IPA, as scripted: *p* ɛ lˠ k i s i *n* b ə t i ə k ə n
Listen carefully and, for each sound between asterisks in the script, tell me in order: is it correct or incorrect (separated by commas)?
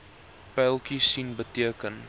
correct, correct